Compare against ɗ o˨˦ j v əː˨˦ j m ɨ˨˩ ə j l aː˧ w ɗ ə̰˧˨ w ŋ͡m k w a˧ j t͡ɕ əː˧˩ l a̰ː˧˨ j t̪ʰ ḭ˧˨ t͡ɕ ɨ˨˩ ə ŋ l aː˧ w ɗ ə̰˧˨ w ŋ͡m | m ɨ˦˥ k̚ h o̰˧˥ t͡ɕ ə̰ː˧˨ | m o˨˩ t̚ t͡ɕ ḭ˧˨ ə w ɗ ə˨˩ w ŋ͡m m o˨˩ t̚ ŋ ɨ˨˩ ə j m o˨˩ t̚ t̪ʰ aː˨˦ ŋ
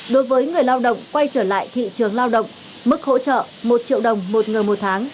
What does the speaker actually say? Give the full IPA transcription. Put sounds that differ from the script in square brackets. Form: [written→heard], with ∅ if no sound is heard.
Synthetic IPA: ɗ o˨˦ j v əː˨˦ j [m→ŋ] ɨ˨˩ ə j l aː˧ w ɗ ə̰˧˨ w ŋ͡m k w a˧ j t͡ɕ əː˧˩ l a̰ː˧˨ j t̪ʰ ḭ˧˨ t͡ɕ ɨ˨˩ ə ŋ l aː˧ w ɗ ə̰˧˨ w ŋ͡m | m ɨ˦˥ k̚ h o̰˧˥ t͡ɕ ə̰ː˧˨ | m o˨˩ t̚ t͡ɕ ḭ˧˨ ə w ɗ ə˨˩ w ŋ͡m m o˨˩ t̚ ŋ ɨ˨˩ ə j m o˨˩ t̚ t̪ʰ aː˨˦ ŋ